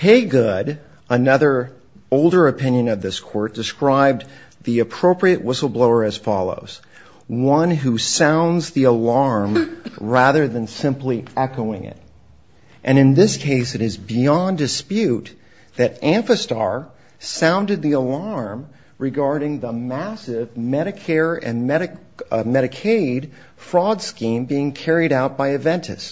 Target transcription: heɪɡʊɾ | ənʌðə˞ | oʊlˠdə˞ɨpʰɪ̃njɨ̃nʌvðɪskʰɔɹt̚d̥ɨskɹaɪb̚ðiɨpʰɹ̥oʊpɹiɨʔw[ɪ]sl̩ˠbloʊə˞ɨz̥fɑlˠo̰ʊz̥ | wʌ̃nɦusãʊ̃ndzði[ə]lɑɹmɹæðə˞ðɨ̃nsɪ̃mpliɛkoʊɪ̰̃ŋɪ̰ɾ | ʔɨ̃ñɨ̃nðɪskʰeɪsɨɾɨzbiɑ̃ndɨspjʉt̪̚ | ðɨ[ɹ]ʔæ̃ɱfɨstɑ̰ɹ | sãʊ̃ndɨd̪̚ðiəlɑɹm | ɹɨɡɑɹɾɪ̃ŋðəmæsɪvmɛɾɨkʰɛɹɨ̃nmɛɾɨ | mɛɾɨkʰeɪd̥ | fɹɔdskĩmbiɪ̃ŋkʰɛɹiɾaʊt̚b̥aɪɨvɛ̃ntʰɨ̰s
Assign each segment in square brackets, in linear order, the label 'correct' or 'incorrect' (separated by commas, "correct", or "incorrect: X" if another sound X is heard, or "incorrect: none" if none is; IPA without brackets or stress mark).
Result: correct, correct, incorrect: ɾ